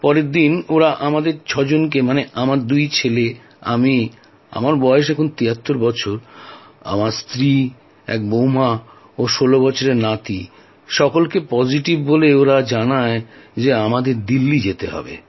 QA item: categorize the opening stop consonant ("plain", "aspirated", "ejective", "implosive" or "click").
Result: plain